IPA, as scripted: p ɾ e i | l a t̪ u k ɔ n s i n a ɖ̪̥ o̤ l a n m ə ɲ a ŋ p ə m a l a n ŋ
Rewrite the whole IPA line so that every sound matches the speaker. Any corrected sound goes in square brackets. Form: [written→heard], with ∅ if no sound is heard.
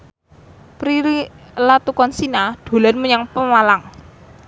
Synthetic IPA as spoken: p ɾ [e→i] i | l a t̪ u k ɔ n s i n a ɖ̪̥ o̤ l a n m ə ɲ a ŋ p ə m a l a [n→∅] ŋ